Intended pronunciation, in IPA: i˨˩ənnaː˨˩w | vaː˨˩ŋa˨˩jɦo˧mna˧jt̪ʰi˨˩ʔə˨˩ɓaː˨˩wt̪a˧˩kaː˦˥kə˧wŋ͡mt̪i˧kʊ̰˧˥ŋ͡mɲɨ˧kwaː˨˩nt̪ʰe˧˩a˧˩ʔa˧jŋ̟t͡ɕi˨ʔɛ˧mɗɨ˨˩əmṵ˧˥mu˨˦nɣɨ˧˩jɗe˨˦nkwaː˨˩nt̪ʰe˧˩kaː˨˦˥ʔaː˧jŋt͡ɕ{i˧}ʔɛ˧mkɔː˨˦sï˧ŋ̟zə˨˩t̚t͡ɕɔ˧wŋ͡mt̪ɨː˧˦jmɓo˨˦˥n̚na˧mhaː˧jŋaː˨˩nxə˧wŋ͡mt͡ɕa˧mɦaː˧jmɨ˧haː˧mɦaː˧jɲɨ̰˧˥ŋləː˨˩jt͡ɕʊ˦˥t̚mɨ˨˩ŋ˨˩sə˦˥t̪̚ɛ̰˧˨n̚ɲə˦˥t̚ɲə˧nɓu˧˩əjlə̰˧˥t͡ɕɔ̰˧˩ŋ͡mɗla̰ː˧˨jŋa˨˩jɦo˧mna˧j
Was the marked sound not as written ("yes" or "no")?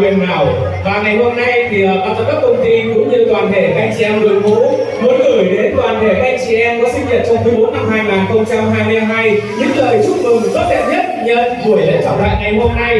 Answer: yes